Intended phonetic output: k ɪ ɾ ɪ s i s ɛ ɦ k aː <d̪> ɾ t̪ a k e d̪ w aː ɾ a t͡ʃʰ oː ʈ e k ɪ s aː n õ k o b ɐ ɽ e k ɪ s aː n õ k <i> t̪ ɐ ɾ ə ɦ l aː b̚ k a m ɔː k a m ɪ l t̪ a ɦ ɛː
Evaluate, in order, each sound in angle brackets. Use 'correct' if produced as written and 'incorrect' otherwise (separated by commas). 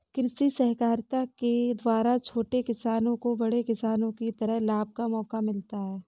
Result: incorrect, correct